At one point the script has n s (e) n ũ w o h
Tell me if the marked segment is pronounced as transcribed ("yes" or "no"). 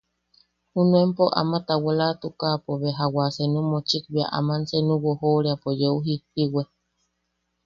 yes